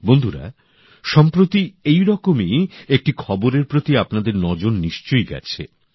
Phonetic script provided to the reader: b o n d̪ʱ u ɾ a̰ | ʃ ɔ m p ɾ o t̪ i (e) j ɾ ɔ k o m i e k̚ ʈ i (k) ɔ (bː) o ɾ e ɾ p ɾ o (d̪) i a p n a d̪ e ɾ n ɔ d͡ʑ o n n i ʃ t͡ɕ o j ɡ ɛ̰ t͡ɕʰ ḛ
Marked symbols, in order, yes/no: yes, no, no, no

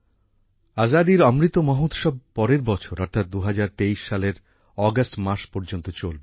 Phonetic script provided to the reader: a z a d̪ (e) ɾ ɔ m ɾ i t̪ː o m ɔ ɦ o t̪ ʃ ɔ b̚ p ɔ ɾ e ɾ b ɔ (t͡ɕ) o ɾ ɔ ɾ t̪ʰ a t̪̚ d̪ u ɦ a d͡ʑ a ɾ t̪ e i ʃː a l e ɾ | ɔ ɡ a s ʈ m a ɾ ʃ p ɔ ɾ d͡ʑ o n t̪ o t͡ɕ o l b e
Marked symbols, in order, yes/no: no, no

